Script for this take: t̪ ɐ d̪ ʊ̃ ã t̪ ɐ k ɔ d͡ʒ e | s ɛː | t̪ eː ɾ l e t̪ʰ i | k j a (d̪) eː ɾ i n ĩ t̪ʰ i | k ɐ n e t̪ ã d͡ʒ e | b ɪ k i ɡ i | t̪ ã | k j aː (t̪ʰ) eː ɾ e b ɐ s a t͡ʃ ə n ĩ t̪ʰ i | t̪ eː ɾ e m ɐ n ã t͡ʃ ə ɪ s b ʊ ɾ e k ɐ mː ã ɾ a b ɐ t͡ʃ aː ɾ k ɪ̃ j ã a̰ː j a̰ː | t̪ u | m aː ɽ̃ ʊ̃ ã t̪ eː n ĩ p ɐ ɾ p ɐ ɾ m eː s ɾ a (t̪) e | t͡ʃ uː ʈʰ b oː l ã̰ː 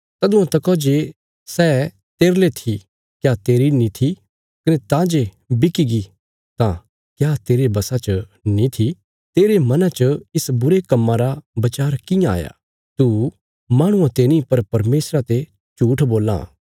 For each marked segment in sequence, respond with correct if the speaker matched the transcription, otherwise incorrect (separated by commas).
incorrect, incorrect, correct